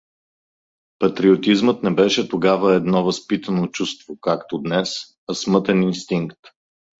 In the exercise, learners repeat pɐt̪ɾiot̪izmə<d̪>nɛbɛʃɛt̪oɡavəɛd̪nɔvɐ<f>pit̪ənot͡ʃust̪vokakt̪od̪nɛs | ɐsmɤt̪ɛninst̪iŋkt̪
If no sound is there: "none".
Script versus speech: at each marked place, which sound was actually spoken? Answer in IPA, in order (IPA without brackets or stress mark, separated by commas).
t̪, s